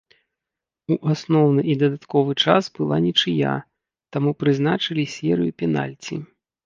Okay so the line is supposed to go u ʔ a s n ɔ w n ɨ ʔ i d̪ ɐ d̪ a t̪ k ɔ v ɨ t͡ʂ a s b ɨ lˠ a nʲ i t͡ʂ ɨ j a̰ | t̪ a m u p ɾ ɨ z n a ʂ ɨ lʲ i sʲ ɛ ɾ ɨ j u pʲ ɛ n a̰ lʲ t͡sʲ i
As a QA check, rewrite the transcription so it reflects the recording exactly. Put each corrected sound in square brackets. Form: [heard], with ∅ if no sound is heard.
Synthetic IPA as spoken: u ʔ a s n ɔ w n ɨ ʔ i d̪ ɐ d̪ a t̪ k ɔ v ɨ t͡ʂ a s b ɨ lˠ a nʲ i t͡ʂ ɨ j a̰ | t̪ a m u p ɾ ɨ z n a [t͡ʂ] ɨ lʲ i sʲ ɛ ɾ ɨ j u pʲ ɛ n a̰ lʲ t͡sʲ i